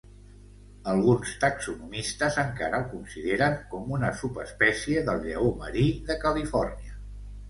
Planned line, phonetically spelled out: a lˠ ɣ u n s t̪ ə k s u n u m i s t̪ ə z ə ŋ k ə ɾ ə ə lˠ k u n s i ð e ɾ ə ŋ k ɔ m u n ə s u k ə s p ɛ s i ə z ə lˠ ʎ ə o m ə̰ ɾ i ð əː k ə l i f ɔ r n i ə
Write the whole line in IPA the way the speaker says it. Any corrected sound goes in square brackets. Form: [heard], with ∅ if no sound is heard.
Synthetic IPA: [ə] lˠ ɣ u n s t̪ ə k s u n u m i s t̪ ə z ə ŋ k [a] ɾ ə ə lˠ k u n s i ð e ɾ ə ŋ k ɔ m u n ə s u [p] ə s p ɛ s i ə [ð] ə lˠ ʎ ə o m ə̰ ɾ i ð [ə] k ə l i f ɔ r n i ə